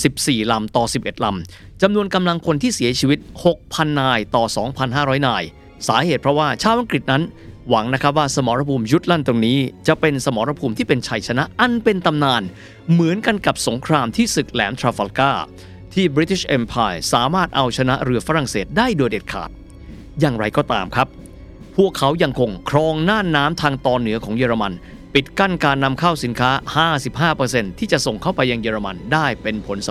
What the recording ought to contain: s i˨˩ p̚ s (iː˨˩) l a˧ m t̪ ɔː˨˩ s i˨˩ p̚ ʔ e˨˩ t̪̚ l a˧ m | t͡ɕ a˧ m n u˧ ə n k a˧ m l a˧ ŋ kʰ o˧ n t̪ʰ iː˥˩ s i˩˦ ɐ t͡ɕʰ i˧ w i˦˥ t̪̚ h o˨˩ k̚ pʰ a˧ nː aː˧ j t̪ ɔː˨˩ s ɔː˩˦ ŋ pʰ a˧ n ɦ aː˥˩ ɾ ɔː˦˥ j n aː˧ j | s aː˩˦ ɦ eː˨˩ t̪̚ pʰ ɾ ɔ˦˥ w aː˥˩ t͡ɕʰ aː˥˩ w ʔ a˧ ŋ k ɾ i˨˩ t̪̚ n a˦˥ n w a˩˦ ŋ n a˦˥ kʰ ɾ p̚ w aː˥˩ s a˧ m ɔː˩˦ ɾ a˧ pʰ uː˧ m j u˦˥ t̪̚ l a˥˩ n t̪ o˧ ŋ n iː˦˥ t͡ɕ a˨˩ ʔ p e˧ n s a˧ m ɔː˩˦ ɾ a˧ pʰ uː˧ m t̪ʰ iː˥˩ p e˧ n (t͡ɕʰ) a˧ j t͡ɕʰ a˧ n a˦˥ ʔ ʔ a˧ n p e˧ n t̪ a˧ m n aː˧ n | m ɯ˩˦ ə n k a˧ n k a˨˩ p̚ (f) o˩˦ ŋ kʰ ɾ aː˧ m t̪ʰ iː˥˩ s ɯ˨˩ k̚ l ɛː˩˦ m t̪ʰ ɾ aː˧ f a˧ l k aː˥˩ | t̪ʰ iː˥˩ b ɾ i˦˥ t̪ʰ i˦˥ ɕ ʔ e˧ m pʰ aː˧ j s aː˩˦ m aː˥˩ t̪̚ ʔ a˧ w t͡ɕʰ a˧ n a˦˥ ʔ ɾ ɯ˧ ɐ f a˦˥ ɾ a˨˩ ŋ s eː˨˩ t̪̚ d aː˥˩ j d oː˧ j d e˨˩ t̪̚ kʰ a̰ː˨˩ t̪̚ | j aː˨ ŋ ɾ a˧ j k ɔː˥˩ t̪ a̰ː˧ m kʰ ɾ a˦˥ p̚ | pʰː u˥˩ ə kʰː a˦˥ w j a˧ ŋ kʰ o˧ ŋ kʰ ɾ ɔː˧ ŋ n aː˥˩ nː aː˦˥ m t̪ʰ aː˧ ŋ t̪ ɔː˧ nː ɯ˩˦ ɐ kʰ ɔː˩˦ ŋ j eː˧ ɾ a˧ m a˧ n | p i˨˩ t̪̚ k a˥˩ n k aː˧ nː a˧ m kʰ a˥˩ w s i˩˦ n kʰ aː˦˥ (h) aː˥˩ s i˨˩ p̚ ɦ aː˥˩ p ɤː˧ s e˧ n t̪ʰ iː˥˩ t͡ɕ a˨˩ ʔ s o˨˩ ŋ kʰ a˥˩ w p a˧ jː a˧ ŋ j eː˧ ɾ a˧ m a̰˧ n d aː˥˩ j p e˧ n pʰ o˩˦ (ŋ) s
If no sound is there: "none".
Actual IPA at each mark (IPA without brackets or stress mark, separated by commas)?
iː˨˩, t͡ɕʰ, s, h, n